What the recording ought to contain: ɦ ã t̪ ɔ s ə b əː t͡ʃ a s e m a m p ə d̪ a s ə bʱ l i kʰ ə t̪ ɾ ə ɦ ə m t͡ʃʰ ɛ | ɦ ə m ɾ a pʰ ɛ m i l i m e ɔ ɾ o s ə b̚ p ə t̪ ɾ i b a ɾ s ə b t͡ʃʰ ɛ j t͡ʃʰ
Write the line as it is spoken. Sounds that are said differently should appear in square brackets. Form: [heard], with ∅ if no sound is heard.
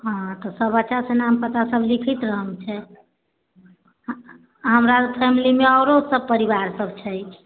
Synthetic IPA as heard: ɦ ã t̪ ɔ s ə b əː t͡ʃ a s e [n] a m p ə [t̪] a s ə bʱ l i kʰ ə t̪ ɾ ə ɦ ə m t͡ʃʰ ɛ | ɦ ə m ɾ a pʰ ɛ m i l i m e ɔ ɾ o s ə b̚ p ə [∅] ɾ i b a ɾ s ə b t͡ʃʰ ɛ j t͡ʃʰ